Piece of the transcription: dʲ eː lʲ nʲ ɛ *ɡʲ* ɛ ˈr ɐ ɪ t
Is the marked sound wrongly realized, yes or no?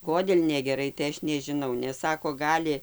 no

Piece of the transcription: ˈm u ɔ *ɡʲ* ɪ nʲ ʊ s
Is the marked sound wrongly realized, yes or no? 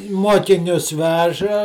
yes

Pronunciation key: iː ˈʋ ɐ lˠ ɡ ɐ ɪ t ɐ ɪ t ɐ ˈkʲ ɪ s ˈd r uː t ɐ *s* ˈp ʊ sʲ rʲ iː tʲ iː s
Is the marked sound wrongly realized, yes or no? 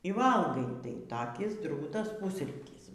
no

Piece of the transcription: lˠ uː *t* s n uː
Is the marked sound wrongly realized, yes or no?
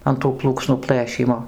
yes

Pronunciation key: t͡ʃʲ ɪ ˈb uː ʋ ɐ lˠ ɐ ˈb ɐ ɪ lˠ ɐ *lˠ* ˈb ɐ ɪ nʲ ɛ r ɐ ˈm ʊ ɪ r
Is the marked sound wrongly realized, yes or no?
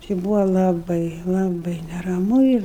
yes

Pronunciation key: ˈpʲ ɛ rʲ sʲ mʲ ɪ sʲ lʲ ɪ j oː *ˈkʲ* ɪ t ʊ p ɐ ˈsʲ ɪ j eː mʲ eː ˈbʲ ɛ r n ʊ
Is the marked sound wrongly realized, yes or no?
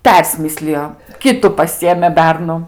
no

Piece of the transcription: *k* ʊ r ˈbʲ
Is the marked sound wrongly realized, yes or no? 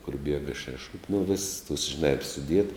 no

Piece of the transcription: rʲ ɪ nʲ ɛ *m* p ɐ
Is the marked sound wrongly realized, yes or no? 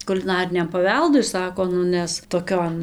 no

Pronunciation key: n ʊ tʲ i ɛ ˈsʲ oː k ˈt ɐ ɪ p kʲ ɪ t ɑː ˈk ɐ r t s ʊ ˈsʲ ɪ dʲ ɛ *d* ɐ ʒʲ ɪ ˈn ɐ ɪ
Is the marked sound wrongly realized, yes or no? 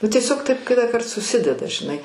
no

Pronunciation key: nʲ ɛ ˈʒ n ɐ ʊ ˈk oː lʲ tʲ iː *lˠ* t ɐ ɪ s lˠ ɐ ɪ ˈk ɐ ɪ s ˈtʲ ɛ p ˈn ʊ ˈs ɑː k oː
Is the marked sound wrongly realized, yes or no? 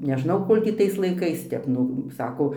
yes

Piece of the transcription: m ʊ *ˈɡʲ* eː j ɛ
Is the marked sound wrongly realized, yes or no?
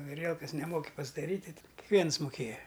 yes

